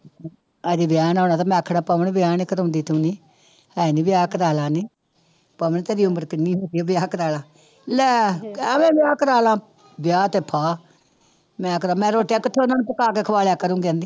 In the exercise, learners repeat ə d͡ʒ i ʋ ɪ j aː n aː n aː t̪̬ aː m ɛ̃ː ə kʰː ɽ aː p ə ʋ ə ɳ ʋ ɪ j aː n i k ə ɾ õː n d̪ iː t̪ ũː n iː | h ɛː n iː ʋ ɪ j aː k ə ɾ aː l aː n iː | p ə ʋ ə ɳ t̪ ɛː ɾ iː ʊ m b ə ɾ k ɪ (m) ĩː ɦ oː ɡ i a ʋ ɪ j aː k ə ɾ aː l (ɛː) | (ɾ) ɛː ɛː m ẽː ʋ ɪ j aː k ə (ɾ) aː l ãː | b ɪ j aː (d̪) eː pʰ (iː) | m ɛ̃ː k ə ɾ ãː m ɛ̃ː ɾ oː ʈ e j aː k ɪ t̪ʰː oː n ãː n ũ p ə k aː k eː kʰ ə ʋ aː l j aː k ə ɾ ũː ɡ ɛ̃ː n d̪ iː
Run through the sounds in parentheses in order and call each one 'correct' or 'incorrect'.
incorrect: n, incorrect: aː, incorrect: l, correct, incorrect: t̪, incorrect: aː

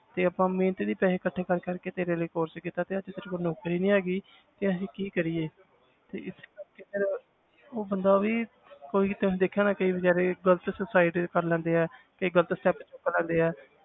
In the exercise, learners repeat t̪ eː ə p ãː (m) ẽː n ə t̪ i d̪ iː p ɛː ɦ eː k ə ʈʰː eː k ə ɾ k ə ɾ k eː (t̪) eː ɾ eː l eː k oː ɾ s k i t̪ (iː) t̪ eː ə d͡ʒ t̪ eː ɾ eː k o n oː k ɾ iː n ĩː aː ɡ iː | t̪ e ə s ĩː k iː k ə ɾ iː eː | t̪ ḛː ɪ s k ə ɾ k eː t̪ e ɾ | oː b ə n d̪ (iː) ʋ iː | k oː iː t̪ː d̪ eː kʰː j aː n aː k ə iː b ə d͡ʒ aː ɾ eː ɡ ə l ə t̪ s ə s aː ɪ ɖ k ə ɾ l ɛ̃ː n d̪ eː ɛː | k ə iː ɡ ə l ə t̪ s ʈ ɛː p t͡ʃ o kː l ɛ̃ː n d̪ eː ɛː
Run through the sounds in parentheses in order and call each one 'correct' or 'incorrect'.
correct, correct, incorrect: aː, incorrect: aː

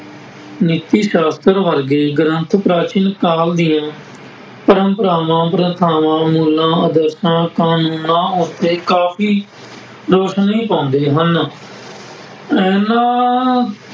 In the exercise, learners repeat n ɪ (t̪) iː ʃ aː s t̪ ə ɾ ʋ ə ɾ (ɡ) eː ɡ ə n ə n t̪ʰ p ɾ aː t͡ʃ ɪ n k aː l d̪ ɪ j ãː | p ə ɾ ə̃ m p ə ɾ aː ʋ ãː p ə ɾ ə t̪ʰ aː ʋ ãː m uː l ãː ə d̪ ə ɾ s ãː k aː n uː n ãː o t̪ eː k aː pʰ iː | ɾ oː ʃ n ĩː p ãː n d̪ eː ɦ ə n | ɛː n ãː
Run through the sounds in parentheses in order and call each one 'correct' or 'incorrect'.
correct, correct

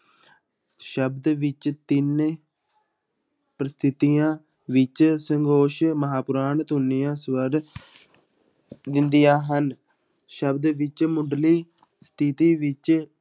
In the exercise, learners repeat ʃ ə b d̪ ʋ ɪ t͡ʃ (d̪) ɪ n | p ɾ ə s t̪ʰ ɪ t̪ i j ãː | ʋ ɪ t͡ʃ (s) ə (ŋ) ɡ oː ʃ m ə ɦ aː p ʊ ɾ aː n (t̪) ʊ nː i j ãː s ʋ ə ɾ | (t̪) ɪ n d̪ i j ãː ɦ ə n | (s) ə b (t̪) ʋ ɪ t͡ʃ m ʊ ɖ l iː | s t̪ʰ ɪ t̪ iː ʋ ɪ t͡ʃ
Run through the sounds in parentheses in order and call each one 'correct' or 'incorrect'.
incorrect: t̪, correct, correct, correct, incorrect: d̪, incorrect: ʃ, incorrect: d̪

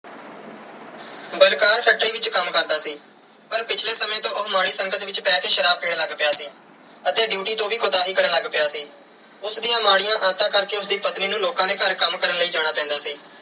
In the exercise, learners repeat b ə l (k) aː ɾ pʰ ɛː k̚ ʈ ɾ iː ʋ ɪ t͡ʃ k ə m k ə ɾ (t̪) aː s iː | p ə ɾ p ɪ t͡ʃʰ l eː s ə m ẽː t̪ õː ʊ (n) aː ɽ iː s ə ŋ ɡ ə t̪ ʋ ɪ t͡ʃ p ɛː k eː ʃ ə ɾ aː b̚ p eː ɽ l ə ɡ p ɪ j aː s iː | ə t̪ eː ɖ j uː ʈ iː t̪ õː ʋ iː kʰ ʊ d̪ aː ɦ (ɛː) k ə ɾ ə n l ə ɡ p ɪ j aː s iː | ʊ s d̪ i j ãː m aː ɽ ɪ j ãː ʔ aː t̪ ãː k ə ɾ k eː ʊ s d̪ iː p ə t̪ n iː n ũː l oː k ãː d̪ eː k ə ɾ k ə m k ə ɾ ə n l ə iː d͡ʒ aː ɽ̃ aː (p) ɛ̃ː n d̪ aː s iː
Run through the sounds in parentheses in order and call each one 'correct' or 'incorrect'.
correct, incorrect: d̪, incorrect: m, incorrect: iː, correct

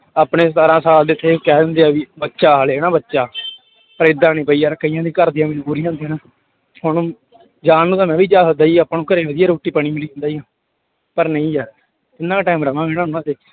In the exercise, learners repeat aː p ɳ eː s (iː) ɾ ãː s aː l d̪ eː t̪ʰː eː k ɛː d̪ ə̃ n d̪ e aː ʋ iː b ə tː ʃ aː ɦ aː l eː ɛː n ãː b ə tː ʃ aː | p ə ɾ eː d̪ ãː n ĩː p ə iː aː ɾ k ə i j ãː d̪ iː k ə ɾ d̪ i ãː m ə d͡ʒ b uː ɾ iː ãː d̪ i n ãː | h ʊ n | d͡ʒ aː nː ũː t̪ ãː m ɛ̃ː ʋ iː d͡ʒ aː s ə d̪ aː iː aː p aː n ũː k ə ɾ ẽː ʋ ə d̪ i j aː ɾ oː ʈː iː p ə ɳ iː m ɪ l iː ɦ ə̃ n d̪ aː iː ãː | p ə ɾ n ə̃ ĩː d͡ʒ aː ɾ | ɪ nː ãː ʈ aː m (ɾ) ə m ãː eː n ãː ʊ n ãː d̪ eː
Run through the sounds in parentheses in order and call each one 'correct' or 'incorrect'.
incorrect: aː, correct

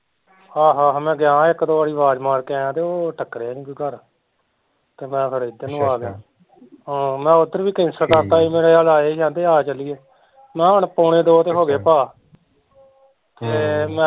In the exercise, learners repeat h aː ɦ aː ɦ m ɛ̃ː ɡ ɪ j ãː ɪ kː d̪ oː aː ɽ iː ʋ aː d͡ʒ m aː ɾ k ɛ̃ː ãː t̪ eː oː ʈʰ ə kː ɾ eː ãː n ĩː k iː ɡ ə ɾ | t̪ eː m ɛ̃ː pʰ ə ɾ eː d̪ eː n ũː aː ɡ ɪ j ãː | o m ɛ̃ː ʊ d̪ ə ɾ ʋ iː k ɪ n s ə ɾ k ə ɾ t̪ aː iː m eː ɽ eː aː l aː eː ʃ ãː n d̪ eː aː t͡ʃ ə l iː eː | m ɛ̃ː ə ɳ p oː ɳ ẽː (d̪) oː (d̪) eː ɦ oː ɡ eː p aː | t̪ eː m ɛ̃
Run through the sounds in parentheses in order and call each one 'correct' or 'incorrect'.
correct, incorrect: t̪

